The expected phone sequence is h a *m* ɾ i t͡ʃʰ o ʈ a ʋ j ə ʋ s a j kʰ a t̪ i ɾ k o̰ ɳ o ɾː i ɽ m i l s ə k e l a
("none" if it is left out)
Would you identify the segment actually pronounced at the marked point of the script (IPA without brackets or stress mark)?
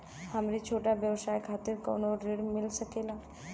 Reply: m